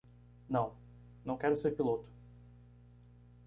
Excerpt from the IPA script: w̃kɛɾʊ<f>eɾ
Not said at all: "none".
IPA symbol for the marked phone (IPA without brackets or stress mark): s